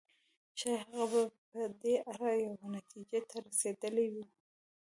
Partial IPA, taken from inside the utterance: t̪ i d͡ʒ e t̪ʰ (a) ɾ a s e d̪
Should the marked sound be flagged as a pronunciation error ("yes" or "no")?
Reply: no